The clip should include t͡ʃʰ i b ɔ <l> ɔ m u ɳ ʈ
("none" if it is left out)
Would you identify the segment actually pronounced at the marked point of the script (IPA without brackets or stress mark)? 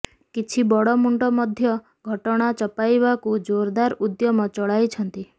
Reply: ɽ